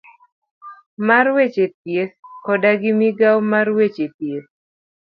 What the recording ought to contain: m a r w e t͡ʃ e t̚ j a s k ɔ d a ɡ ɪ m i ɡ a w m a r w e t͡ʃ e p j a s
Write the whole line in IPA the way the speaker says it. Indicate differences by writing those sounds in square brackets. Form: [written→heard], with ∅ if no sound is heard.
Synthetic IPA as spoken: m a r w e t͡ʃ e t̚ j [a→e] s k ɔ d a ɡ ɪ m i ɡ a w m a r w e t͡ʃ e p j [a→e] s

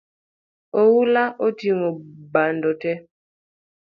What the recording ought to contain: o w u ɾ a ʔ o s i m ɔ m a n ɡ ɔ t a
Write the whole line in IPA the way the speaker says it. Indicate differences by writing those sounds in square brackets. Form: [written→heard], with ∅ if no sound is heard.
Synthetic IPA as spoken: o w u [ɾ→l] a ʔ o [s→t] i [m→ŋ] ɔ [m→b] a n [ɡ→d] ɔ t [a→ɛ]

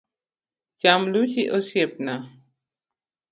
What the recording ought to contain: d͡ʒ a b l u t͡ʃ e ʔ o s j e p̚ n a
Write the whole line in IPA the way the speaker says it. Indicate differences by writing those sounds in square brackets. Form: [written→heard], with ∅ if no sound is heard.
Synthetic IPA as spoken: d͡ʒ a [b→m] l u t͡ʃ [e→i] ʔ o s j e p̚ n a

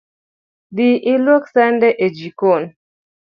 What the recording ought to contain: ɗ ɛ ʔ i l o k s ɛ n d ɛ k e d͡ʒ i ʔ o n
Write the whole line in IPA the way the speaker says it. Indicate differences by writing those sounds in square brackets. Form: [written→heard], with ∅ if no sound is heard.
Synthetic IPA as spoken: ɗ [ɛ→i] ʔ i l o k s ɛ n d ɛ [k→ʔ] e d͡ʒ i [ʔ→k] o n

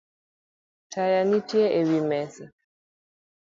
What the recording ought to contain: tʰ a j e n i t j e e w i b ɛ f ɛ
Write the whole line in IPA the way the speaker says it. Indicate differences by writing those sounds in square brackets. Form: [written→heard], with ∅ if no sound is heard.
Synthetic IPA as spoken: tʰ a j [e→a] n i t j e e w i [b→m] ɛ [f→s] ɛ

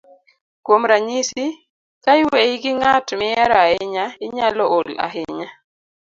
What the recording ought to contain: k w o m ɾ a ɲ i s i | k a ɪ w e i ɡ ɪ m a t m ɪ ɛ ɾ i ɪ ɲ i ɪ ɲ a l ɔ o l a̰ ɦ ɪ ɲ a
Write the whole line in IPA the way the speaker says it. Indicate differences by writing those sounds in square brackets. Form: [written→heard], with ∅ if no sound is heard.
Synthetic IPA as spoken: k w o m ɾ a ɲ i s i | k a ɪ w e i ɡ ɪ [m→ŋ] a t m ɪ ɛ ɾ [i→a] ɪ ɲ [i→a] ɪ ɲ a l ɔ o l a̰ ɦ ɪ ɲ a

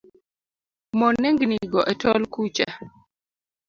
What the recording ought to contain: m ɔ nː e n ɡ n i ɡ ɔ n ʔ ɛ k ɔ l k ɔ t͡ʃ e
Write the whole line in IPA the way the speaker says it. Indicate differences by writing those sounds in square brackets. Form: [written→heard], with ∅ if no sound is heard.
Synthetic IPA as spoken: m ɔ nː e [n→ŋ] ɡ n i ɡ ɔ [n→∅] ʔ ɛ [k→t] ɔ l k [ɔ→u] t͡ʃ [e→a]

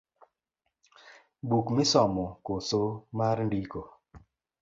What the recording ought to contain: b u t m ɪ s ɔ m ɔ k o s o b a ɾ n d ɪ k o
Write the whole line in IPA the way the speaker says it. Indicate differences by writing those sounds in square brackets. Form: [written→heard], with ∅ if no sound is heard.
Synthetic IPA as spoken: b u [t→k] m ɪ s ɔ m ɔ k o s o [b→m] a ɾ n d [ɪ→i] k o

